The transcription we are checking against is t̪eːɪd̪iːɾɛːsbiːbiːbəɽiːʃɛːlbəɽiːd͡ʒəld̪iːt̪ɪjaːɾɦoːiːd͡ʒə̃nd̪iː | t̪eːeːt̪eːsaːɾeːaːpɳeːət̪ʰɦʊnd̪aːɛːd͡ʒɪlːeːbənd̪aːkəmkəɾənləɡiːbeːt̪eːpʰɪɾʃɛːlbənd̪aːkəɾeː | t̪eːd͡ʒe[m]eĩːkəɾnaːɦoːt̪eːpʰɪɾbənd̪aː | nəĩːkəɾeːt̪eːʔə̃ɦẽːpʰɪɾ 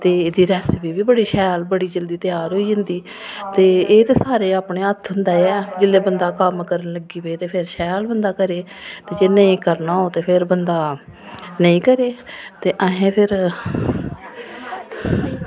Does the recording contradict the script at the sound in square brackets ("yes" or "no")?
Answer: yes